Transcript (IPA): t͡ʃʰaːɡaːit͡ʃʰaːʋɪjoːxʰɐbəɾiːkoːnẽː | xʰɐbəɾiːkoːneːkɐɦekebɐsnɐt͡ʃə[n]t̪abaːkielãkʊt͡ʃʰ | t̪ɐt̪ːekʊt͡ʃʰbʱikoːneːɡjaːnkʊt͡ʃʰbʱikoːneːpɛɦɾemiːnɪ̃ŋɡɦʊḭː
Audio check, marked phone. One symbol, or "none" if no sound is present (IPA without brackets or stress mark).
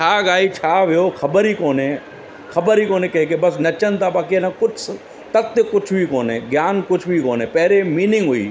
n